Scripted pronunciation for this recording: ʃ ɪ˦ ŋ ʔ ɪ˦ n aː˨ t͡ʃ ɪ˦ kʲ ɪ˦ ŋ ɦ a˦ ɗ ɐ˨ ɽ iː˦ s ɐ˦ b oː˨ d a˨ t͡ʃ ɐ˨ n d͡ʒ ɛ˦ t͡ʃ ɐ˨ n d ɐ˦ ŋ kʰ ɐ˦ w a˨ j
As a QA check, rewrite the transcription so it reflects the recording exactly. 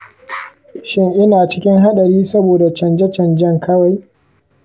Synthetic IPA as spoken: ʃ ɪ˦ ŋ ʔ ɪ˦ n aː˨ t͡ʃ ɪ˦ kʲ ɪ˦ ŋ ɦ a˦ ɗ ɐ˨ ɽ iː˦ s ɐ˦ b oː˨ d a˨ t͡ʃ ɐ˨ n d͡ʒ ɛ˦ t͡ʃ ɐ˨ n d͡ʒ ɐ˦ ŋ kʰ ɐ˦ w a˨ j